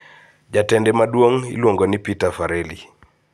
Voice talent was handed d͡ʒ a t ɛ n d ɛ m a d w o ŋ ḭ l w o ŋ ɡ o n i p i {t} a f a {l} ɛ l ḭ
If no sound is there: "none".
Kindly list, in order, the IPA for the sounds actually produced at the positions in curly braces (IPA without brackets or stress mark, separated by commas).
t, ɾ